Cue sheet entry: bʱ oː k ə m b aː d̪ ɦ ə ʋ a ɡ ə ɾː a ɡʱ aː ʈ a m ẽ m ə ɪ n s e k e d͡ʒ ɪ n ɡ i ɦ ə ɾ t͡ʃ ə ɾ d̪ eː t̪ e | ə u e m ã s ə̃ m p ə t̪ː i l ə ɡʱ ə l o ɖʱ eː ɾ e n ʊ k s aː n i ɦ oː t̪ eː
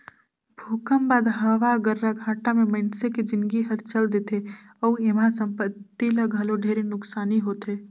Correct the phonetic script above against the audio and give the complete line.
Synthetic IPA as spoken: bʱ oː k ə m b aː d̪ ɦ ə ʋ a ɡ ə ɾː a ɡʱ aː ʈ a m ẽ m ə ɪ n s e k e d͡ʒ ɪ n ɡ i ɦ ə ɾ t͡ʃ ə l d̪ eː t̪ e | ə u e m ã s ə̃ m p ə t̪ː i l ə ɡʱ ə l o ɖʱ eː ɾ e n ʊ k s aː n i ɦ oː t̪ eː